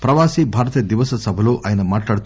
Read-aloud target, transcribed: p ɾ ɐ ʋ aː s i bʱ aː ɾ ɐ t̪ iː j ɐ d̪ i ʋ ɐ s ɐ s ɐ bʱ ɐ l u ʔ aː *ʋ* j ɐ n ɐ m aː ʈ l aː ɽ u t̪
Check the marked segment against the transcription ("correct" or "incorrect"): incorrect